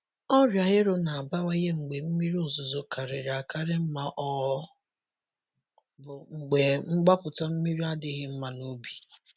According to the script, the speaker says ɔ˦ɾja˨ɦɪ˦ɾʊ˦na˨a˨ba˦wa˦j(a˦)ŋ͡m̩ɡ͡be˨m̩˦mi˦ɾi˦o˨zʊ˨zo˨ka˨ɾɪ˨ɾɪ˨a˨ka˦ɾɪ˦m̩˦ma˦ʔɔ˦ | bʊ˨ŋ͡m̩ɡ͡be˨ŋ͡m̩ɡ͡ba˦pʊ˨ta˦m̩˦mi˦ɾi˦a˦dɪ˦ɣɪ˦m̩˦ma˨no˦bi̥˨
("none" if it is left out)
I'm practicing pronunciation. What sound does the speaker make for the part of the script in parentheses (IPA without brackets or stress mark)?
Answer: e˦